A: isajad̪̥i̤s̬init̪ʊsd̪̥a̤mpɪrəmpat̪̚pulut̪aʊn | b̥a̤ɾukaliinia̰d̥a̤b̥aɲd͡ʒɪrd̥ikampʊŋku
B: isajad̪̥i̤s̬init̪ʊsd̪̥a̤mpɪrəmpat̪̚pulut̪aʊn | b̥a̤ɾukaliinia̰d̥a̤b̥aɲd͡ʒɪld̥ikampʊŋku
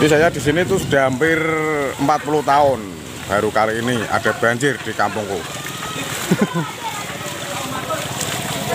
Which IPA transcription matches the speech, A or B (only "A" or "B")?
A